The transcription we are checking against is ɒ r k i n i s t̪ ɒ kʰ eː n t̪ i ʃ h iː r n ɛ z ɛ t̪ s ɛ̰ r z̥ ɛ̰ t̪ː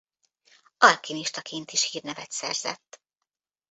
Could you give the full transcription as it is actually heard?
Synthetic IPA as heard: ɒ l k i n i ʃ t̪ ɒ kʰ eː n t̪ i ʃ h iː r n ɛ v ɛ t̪ s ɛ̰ r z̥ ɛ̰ t̪ː

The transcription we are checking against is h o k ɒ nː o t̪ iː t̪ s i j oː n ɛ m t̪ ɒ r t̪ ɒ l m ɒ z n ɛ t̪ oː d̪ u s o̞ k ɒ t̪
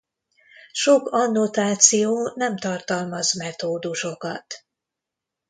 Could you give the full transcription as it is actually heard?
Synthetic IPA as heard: ʃ o k ɒ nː o t̪ aː t̪ s i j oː n ɛ m t̪ ɒ r t̪ ɒ l m ɒ z m ɛ t̪ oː d̪ u ʃ o̞ k ɒ t̪

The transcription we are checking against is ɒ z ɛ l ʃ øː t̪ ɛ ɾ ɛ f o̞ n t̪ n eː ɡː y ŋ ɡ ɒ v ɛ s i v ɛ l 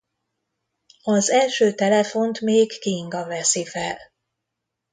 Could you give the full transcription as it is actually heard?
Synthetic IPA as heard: ɒ z ɛ l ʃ øː t̪ ɛ l ɛ f o̞ n t̪ m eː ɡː i ŋ ɡ ɒ v ɛ s i f ɛ l

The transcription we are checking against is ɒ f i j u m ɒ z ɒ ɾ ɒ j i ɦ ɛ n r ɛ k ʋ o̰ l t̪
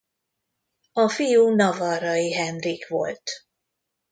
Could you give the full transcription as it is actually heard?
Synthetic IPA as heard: ɒ f i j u n ɒ v ɒ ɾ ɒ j i ɦ ɛ n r i k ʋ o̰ l t̪

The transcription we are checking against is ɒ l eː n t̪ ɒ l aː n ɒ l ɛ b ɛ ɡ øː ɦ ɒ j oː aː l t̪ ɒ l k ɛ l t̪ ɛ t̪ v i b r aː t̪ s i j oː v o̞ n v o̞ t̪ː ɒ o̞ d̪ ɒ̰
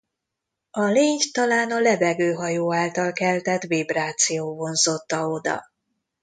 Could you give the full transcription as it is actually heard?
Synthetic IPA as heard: ɒ l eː ɲ t̪ ɒ l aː n ɒ l ɛ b ɛ ɡ øː ɦ ɒ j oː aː l t̪ ɒ l k ɛ l t̪ ɛ t̪ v i b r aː t̪ s i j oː v o̞ n z o̞ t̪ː ɒ o̞ d̪ ɒ̰

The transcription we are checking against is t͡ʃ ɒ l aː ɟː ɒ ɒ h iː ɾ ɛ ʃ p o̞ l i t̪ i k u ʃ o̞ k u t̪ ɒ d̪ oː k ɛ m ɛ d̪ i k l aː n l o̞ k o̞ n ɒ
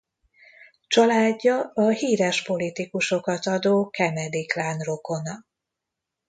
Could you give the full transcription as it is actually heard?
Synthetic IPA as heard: t͡ʃ ɒ l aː ɟː ɒ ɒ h iː ɾ ɛ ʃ p o̞ l i t̪ i k u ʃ o̞ k ɒ t̪ ɒ d̪ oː k ɛ m ɛ d̪ i k l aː n r o̞ k o̞ n ɒ

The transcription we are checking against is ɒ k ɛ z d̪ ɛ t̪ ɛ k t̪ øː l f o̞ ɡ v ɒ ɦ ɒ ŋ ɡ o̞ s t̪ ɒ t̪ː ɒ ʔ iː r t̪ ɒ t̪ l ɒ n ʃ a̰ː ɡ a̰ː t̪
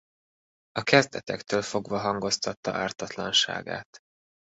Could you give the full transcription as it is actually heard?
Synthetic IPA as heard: ɒ k ɛ z d̪ ɛ t̪ ɛ k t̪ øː l f o̞ ɡ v ɒ ɦ ɒ ŋ ɡ o̞ s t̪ ɒ t̪ː ɒ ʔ aː r t̪ ɒ t̪ l ɒ n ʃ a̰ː ɡ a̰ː t̪

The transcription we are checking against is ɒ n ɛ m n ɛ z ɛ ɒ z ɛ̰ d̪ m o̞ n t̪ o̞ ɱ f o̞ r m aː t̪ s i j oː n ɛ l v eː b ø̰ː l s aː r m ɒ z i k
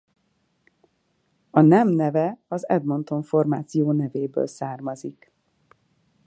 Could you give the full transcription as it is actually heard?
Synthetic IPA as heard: ɒ n ɛ m n ɛ v ɛ ɒ z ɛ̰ d̪ m o̞ n t̪ o̞ ɱ f o̞ r m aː t̪ s i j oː n ɛ v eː b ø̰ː l s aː r m ɒ z i k

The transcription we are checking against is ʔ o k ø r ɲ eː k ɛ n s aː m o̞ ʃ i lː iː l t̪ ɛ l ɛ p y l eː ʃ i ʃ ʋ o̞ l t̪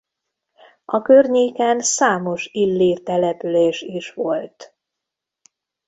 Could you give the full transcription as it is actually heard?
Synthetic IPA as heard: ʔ ɒ k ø r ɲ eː k ɛ n s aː m o̞ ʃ i lː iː r t̪ ɛ l ɛ p y l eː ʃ i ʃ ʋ o̞ l t̪

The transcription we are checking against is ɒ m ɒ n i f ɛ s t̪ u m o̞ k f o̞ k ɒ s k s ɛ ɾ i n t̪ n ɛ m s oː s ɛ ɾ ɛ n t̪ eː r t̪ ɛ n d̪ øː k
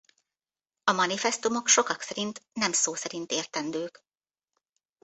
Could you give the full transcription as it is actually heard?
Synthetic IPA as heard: ɒ m ɒ n i f ɛ s t̪ u m o̞ k ʃ o̞ k ɒ k s ɛ ɾ i n t̪ n ɛ m s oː s ɛ ɾ i n t̪ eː r t̪ ɛ n d̪ øː k

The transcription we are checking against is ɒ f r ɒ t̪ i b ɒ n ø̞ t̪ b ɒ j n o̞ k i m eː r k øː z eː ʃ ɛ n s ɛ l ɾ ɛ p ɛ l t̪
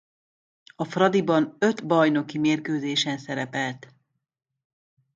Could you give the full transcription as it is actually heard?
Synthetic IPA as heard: ɒ f r ɒ d̪ i b ɒ n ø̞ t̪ b ɒ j n o̞ k i m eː r k øː z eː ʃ ɛ n s ɛ ɾ ɛ p ɛ l t̪

